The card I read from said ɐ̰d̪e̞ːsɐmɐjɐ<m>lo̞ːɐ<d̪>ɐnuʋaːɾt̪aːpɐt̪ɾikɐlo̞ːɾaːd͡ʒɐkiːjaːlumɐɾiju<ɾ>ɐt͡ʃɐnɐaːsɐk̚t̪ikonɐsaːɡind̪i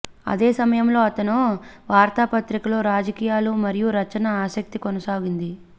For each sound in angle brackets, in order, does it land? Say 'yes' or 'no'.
yes, no, yes

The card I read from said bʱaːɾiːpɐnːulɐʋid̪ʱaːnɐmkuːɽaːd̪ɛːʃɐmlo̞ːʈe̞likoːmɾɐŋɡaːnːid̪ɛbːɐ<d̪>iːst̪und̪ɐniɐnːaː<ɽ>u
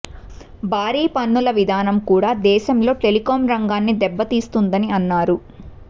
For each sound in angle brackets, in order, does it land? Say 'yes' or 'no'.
no, no

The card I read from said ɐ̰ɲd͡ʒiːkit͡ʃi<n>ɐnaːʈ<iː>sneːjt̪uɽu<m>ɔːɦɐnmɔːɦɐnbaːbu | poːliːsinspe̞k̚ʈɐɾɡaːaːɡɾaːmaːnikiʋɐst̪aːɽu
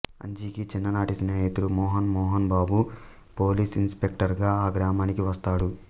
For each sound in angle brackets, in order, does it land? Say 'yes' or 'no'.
no, no, yes

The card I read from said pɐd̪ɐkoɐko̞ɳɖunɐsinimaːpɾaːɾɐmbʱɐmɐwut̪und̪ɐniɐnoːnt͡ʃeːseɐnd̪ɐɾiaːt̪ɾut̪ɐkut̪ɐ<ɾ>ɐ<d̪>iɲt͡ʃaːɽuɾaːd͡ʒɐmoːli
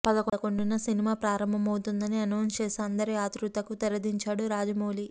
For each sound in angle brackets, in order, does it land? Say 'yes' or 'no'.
yes, yes

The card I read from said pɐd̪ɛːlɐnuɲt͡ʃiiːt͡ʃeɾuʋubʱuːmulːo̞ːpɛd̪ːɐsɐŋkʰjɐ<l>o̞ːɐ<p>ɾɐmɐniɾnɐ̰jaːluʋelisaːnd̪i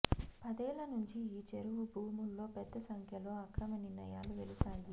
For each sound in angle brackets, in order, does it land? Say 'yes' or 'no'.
yes, no

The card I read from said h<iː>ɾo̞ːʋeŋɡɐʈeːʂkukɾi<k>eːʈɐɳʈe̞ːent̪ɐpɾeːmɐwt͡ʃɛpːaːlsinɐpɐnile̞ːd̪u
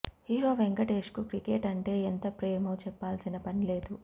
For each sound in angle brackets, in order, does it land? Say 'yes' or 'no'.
yes, yes

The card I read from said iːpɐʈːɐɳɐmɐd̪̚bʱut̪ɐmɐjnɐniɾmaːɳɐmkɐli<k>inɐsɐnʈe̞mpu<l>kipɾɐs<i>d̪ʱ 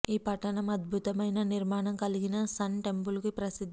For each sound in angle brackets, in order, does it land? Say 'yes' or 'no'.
no, yes, yes

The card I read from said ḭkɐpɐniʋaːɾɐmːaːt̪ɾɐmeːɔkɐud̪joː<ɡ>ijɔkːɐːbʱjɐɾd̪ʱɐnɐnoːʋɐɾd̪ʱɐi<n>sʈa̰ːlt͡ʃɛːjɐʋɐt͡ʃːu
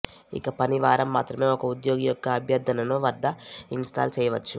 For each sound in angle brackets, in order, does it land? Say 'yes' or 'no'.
yes, yes

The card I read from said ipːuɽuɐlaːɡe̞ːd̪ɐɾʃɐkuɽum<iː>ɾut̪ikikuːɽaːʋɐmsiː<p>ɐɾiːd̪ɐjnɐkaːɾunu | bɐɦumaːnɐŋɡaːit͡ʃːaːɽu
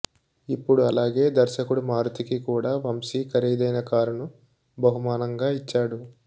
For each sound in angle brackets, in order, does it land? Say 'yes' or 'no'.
no, no

